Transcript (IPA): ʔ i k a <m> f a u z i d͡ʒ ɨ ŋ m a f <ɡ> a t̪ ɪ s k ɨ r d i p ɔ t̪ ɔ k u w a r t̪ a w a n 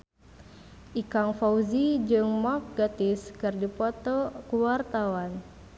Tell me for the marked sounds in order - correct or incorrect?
incorrect: ŋ, correct

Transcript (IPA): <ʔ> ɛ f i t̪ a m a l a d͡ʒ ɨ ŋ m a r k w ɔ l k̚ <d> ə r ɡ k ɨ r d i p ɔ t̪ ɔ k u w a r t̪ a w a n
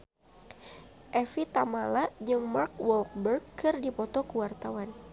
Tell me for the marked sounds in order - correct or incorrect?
correct, incorrect: b

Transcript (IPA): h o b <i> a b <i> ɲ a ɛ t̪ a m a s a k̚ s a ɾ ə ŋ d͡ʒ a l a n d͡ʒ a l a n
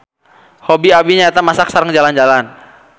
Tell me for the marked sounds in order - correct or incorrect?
correct, correct

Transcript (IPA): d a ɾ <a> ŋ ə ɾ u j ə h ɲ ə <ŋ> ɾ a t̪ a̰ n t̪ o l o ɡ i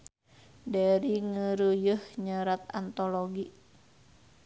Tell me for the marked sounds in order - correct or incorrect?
incorrect: i, incorrect: none

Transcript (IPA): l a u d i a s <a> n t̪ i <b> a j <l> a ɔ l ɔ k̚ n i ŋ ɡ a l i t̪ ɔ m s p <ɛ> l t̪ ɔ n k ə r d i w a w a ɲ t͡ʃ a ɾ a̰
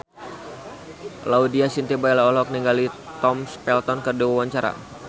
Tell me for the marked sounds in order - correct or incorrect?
incorrect: i, correct, correct, correct

